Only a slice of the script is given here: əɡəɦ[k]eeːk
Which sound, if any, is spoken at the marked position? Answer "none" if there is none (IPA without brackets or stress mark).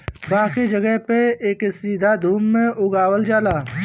p